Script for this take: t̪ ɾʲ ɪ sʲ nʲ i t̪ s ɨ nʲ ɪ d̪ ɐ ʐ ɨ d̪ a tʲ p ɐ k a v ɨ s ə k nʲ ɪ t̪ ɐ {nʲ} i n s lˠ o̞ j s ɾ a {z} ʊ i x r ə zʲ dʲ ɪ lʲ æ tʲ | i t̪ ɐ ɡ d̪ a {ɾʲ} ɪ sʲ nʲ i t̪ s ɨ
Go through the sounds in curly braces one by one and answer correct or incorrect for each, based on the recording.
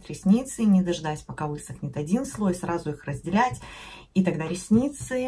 incorrect: dʲ, correct, correct

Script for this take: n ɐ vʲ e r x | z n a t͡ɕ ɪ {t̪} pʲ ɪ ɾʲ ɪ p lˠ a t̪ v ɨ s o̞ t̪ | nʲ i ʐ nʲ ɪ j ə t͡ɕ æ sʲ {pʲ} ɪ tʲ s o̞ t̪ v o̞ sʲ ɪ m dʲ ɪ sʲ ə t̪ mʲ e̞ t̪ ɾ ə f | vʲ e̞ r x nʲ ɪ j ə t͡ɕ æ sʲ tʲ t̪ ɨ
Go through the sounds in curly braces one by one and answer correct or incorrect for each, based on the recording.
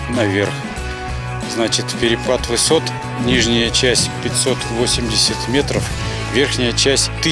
correct, correct

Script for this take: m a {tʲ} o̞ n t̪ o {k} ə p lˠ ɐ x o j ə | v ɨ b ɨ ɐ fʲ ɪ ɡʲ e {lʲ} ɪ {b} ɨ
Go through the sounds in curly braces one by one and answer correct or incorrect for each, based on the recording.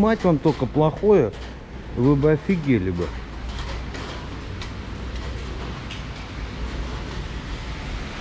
correct, correct, correct, correct

